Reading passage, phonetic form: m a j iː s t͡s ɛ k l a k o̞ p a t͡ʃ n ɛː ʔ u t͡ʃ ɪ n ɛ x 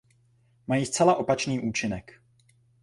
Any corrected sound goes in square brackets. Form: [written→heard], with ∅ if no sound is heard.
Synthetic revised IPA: m a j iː s t͡s ɛ [k→∅] l a [k→ʔ] o̞ p a t͡ʃ n [ɛː→iː] ʔ [u→uː] t͡ʃ ɪ n ɛ [x→k]